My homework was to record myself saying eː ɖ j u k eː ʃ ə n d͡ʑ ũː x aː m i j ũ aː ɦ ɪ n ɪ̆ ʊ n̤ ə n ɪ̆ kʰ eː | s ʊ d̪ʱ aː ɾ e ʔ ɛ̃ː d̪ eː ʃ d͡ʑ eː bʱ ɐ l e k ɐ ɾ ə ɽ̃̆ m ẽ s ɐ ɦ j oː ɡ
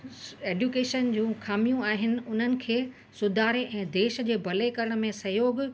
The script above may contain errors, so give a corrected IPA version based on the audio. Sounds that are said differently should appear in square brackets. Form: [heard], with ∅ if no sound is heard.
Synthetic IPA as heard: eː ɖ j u k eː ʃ ə n d͡ʑ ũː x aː m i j ũ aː ɦ ɪ n ɪ̆ ʊ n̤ ə n ɪ̆ kʰ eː | s ʊ d̪ʱ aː ɾ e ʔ ɛ̃ː d̪ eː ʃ d͡ʑ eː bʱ ɐ l e k ɐ ɾ ə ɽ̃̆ m ẽ s ɐ ɦ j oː ɡ